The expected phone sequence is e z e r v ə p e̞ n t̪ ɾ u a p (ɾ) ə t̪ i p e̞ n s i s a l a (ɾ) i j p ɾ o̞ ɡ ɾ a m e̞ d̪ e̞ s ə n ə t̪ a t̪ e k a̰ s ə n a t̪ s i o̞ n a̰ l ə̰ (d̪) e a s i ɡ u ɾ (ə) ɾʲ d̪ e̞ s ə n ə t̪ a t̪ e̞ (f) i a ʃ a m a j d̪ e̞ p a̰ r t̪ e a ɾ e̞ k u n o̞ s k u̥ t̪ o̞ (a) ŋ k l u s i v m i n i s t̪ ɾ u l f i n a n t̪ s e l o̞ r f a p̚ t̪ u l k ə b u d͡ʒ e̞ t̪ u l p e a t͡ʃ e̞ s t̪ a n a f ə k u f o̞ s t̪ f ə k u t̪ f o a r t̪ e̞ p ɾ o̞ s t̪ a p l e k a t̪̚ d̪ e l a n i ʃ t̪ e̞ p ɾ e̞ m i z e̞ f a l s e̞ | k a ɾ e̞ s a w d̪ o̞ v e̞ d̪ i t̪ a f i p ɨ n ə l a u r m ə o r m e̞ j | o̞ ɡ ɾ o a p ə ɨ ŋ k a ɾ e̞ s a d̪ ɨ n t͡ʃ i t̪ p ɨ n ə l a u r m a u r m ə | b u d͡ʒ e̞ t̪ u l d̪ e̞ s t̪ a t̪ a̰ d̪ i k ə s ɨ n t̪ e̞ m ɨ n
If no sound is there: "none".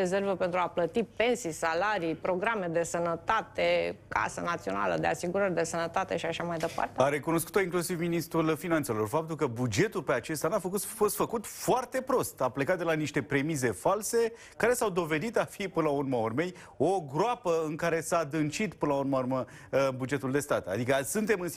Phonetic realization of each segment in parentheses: l, ɾ, d̪, ə, ʃ, i

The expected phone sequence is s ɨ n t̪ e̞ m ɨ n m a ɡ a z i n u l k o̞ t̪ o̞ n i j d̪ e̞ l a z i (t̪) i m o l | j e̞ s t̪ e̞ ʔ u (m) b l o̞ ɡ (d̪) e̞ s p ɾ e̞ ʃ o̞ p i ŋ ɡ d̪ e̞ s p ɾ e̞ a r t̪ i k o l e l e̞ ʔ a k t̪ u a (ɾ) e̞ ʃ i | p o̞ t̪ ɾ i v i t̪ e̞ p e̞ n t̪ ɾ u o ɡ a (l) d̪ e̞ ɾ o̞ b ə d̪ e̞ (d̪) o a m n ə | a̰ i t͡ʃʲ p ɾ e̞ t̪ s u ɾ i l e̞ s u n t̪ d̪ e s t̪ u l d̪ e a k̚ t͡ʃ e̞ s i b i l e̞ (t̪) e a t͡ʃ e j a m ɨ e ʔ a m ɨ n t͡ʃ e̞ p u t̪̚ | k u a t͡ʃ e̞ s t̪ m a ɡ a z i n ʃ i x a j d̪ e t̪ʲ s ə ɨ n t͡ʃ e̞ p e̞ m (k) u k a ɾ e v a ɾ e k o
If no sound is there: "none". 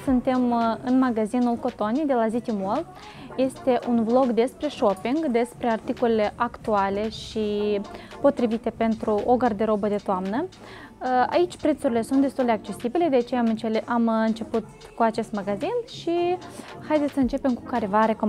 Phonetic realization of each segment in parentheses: t̪, n, d̪, l, r, t̪, d̪, k

